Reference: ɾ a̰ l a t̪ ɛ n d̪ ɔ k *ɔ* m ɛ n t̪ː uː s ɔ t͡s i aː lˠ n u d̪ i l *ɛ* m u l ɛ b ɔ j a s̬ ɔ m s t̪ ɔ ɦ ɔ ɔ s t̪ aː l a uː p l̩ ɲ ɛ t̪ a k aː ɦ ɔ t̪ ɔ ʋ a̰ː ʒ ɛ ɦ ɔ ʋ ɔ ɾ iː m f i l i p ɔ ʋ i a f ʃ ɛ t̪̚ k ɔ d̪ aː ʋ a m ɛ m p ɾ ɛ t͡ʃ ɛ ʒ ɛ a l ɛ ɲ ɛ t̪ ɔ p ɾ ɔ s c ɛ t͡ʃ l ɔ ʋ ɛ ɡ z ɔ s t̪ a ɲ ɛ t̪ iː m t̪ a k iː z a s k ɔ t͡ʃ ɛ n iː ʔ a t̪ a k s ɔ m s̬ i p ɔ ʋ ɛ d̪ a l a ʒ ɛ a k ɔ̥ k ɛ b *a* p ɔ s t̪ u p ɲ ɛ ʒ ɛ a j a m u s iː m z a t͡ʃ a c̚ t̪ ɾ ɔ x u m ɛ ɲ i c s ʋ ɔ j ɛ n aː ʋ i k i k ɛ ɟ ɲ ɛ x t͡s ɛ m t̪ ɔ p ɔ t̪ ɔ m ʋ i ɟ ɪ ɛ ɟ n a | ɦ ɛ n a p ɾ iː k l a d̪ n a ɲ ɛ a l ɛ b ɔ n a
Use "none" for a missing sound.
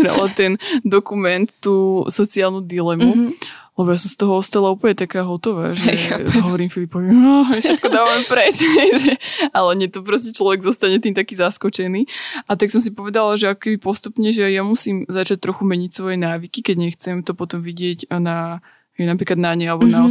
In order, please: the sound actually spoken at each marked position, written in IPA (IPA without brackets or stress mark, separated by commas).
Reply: u, ɛ, i